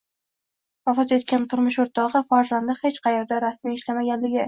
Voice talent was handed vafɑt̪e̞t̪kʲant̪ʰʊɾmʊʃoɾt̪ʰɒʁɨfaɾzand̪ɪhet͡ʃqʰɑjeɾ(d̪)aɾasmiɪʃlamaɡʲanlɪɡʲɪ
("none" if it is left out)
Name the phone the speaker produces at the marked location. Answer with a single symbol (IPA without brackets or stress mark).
d̪